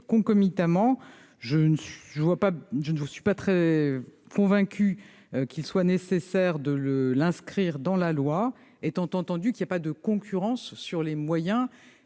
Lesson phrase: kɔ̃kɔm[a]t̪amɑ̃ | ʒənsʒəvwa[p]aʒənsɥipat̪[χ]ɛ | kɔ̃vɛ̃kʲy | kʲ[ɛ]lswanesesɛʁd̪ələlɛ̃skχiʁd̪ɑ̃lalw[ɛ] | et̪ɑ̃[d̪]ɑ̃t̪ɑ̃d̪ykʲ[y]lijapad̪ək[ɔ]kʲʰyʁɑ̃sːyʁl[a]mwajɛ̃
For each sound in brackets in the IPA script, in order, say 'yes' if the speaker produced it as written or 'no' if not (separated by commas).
no, yes, yes, no, no, no, no, no, no